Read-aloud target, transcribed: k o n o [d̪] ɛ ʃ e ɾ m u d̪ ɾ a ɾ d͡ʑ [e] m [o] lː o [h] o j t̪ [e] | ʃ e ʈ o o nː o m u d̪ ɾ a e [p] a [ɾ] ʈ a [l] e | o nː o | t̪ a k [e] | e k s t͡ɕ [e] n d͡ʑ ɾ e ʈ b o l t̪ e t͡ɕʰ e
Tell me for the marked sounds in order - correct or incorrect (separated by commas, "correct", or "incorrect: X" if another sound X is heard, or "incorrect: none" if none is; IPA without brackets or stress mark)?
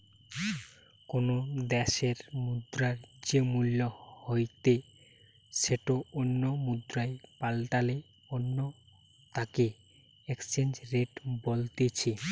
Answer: correct, correct, incorrect: u, correct, correct, correct, incorrect: l, correct, correct, correct